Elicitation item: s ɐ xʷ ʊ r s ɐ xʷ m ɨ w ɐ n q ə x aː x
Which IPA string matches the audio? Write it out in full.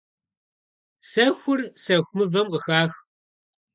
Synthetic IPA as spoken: s ɐ xʷ ʊ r s ɐ xʷ m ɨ v ɐ m q ə x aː x